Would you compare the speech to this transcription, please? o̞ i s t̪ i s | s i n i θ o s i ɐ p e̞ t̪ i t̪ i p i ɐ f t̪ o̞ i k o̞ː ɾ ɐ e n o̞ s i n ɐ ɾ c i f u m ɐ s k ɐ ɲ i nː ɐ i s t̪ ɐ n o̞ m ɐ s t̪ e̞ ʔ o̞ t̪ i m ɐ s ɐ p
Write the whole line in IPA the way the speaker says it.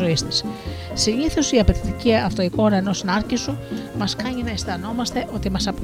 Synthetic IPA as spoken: o̞ i s t̪ i s | s i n i θ o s i ɐ p e̞ t̪ i t̪ i c i ɐ f t̪ o̞ i k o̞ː ɾ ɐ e n o̞ s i n ɐ ɾ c i s u m ɐ s k ɐ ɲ i n ɐ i s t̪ ɐ n o̞ m ɐ s t̪ e̞ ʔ o̞ t̪ i m ɐ s ɐ p